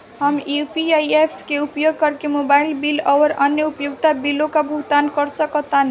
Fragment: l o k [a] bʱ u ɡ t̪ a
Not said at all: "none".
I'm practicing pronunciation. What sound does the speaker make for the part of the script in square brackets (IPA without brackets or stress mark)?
a